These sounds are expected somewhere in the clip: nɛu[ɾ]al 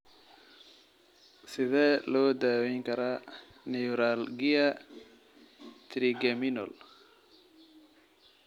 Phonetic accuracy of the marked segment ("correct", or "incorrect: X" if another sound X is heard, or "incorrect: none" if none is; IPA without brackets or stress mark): correct